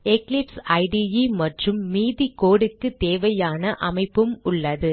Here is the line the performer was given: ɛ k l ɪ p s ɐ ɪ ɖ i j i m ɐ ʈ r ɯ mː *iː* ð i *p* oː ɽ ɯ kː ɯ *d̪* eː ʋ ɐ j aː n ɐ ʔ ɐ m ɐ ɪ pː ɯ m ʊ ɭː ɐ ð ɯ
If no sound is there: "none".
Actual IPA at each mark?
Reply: iː, k, t̪

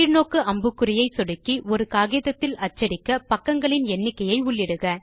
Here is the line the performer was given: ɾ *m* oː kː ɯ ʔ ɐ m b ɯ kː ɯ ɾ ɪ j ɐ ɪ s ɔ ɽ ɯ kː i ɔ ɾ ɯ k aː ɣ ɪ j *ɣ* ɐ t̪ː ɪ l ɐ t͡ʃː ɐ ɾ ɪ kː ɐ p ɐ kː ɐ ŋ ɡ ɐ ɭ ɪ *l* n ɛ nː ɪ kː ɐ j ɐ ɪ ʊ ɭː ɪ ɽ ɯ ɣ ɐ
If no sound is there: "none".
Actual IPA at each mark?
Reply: n, ð, none

